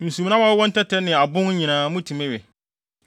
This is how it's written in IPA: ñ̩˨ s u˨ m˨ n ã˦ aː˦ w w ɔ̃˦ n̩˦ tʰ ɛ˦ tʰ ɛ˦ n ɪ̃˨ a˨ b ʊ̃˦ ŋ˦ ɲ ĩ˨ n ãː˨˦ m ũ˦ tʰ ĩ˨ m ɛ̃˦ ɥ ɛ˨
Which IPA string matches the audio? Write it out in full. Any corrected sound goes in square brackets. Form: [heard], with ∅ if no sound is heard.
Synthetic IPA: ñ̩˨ s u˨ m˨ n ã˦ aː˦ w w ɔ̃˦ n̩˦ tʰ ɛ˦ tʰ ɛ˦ n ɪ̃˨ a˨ b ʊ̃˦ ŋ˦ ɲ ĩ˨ n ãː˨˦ m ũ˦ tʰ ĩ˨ m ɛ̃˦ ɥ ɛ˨